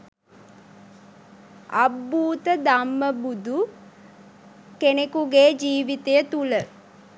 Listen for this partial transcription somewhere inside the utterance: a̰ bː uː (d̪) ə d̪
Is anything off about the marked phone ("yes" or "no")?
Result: yes